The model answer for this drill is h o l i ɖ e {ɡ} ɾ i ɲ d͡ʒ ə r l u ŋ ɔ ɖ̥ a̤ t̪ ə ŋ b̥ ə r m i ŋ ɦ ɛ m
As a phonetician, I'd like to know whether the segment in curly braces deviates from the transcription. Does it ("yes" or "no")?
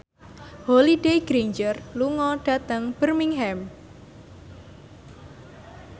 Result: no